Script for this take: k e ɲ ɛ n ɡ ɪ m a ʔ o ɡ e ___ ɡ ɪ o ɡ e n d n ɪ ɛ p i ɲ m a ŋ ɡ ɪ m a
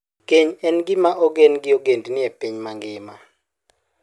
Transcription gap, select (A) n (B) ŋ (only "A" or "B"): A